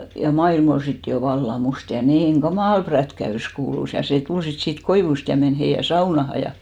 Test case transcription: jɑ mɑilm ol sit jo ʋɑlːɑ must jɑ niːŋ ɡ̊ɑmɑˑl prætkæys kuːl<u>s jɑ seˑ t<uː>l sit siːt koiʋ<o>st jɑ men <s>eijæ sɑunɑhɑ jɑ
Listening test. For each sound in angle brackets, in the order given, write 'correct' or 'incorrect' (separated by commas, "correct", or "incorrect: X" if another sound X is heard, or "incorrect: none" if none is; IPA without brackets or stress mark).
correct, incorrect: u, incorrect: u, incorrect: h